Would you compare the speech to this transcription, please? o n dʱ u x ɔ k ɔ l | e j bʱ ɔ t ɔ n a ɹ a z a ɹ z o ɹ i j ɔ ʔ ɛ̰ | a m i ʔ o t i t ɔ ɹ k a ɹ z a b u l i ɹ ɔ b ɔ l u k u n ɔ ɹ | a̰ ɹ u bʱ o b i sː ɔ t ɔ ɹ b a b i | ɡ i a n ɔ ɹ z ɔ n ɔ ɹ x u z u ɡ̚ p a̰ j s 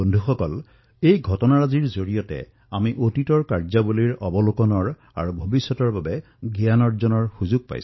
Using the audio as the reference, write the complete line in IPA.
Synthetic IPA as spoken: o n dʱ u x ɔ k ɔ l | e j ɡʱ ɔ t ɔ n a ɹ a z i ɹ z o ɹ i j ɔ t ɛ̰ | a m i ʔ o t i t ɔ ɹ k a ɹ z a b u l i ɹ ɔ b ɔ l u k ɔ n ɔ ɹ | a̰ ɹ u bʱ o b i sː ɔ t ɔ ɹ b a b ɛ | ɡ i a n ɔ ɹ z ɔ n ɔ ɹ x u z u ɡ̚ p a̰ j s